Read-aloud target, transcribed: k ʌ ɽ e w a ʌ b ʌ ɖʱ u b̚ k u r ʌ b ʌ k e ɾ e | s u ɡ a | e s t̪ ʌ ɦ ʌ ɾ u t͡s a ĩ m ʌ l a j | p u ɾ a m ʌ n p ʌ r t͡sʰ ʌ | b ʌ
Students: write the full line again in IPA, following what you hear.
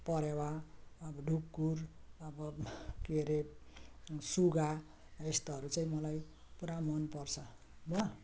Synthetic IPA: p ʌ ɾ e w a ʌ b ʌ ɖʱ u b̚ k u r ʌ b ʌ k e ɾ e | s u ɡ a | e s t̪ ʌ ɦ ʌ ɾ u t͡s a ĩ m ʌ l a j | p u ɾ a m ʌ n p ʌ r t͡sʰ ʌ | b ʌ

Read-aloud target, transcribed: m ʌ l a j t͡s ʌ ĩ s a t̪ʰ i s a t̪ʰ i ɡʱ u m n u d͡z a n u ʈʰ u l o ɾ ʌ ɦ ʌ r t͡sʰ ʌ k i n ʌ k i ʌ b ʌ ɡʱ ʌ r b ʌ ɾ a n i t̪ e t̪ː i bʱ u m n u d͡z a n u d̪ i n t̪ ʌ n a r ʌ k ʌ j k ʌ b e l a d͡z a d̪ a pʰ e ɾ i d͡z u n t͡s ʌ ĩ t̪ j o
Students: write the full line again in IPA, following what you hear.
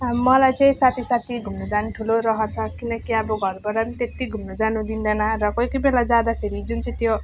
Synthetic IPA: m ʌ l a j t͡s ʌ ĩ s a t̪ʰ i s a t̪ʰ i ɡʱ u m n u d͡z a n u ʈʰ u l o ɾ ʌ ɦ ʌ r t͡sʰ ʌ k i n ʌ k i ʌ b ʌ ɡʱ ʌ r b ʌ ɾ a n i t̪ e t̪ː i ɡʱ u m n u d͡z a n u d̪ i n d̪ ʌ n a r ʌ k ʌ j k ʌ b e l a d͡z a d̪ a pʰ e ɾ i d͡z u n t͡s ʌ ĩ t̪ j o

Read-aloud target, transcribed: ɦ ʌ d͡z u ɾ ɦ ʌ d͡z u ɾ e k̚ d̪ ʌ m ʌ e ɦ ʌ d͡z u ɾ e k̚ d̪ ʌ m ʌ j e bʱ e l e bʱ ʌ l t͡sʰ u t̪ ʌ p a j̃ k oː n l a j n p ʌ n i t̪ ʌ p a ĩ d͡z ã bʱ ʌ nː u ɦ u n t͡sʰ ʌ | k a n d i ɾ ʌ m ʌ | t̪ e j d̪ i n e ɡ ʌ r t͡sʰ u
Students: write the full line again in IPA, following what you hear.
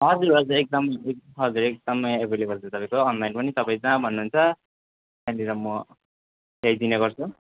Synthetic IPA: ɦ ʌ d͡z u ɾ ɦ ʌ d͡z u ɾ e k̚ d̪ ʌ m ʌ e ɦ ʌ d͡z u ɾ e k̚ d̪ ʌ m ʌ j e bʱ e l e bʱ ʌ l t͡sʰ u t̪ ʌ p a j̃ k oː n l a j n p ʌ n i t̪ ʌ p a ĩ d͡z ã bʱ ʌ nː u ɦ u n t͡sʰ ʌ | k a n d i ɾ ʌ m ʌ | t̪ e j d̪ i n e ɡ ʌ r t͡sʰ u

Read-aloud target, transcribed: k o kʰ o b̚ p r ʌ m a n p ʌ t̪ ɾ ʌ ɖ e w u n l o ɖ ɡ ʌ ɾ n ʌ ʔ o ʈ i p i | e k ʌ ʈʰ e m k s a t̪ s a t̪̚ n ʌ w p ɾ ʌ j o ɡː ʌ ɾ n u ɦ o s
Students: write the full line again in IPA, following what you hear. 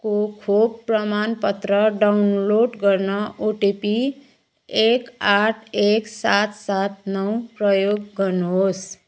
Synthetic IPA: k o kʰ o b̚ p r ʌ m a n p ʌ t̪ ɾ ʌ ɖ a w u n l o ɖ ɡ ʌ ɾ n ʌ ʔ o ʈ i p i | e k a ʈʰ e k s a t̪ s a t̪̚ n ʌ w p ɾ ʌ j o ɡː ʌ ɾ n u ɦ o s

